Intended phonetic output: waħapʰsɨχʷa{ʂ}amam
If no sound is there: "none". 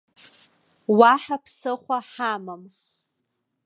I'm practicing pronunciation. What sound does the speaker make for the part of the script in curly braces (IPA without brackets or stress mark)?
ħ